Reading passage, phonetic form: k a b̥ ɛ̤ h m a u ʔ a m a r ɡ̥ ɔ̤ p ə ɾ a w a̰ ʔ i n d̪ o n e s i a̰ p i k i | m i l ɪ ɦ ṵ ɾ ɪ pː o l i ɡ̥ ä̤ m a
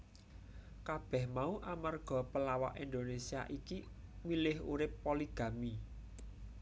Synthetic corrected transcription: k a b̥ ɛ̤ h m a u ʔ a m a r ɡ̥ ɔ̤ p ə l a w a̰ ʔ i n d̪ o n e s i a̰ ʔ i k i | m i l ɪ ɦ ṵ ɾ ɪ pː o l i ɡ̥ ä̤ m i

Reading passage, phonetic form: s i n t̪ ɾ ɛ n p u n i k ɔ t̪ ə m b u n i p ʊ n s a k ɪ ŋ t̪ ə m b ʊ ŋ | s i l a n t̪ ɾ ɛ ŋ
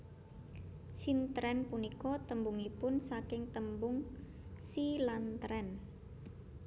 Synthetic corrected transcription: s i n t̪ ɾ ɛ n p u n i k ɔ t̪ ə m b u ŋ i p ʊ n s a k ɪ ŋ t̪ ə m b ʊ ŋ | s i l a n t̪ ɾ ɛ n

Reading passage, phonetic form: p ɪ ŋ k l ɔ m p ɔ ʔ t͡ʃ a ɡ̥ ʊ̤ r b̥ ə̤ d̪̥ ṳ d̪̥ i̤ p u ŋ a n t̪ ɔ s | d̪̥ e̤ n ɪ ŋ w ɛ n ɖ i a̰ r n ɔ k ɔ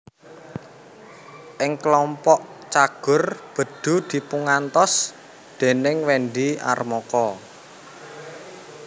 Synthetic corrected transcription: ʔ ɪ ŋ k l ɔ m p ɔ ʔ t͡ʃ a ɡ̥ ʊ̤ r b̥ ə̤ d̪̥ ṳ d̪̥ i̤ p u ŋ a n t̪ ɔ s | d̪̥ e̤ n ɪ ŋ w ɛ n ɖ i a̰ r m ɔ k ɔ

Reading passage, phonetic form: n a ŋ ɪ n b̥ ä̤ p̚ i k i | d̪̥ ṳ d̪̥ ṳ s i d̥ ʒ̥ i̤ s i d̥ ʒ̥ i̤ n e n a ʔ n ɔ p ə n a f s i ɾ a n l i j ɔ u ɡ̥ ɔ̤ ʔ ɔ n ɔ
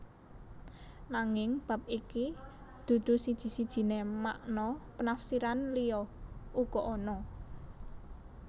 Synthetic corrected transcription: n a ŋ ɪ ŋ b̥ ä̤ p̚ i k i | d̪̥ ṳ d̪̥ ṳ s i d̥ ʒ̥ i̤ s i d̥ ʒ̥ i̤ n e m a ʔ n ɔ p ə n a f s i ɾ a n l i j ɔ u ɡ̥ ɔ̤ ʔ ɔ n ɔ

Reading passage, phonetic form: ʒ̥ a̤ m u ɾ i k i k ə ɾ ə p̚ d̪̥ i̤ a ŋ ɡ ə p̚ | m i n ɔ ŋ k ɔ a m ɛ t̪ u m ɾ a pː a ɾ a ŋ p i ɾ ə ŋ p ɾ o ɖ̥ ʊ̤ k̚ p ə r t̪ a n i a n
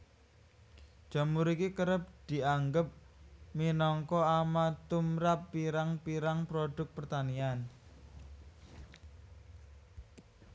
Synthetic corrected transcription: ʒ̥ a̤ m u ɾ i k i k ə ɾ ə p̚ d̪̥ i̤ a ŋ ɡ ə p̚ | m i n ɔ ŋ k ɔ a m a t̪ u m ɾ a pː i ɾ a ŋ p i ɾ a ŋ p ɾ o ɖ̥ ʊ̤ k̚ p ə r t̪ a n i a n

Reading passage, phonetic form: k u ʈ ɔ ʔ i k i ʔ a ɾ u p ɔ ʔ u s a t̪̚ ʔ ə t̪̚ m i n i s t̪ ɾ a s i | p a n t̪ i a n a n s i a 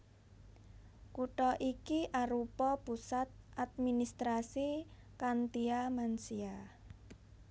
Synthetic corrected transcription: k u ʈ ɔ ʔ i k i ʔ a ɾ u p ɔ p u s a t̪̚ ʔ a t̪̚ m i n i s t̪ ɾ a s i | k a n t̪ i a m a n s i a

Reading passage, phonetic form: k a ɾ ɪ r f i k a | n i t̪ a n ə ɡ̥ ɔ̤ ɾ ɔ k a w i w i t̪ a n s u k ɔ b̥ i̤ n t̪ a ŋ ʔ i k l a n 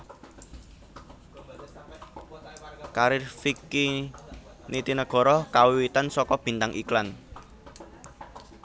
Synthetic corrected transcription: k a ɾ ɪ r f i k i | n i t̪ i n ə ɡ̥ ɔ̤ ɾ ɔ k a w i w i t̪ a n s ɔ k ɔ b̥ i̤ n t̪ a ŋ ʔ i k l a n

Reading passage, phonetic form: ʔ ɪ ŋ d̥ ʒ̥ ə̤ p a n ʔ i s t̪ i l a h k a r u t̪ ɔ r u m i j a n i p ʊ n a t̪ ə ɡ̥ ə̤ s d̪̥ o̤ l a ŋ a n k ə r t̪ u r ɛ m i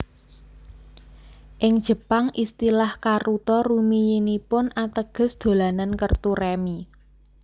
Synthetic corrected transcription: ʔ ɪ ŋ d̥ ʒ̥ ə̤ p a ŋ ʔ i s t̪ i l a h k a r u t̪ ɔ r u m i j i n i p ʊ n a t̪ ə ɡ̥ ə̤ s d̪̥ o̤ l a n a n k ə r t̪ u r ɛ m i

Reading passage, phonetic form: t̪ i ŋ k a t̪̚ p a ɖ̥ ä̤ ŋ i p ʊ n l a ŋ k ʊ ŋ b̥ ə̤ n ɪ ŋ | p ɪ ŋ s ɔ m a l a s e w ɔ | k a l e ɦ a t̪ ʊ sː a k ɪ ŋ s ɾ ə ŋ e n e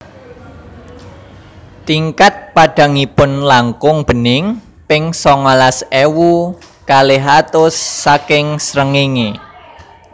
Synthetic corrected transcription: t̪ i ŋ k a t̪̚ p a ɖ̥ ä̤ ŋ i p ʊ n l a ŋ k ʊ ŋ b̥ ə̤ n ɪ ŋ | p ɪ ŋ s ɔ ŋ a l a s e w u | k a l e ɦ a t̪ ʊ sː a k ɪ ŋ s ɾ ə ŋ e ŋ e

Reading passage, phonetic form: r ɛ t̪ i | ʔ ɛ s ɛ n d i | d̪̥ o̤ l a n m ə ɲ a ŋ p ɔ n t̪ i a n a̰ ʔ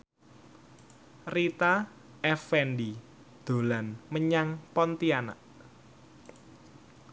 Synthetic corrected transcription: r i t̪ a | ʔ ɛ f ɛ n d i | d̪̥ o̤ l a n m ə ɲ a ŋ p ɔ n t̪ i a n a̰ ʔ

